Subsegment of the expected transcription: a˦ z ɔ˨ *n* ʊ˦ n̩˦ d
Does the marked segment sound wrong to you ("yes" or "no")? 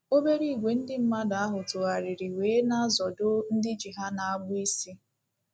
yes